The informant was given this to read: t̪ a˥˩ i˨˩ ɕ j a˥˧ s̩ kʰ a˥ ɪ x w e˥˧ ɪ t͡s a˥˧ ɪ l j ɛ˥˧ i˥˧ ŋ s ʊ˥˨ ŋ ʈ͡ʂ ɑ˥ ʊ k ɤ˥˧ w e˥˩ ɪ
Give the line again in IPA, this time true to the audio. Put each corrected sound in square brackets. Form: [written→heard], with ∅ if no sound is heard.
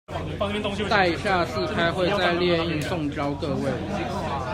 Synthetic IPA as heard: t̪ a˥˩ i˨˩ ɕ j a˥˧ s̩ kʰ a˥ ɪ x w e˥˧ ɪ t͡s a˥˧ ɪ l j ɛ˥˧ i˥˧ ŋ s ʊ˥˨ ŋ ʈ͡ʂ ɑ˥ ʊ k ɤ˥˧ w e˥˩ ɪ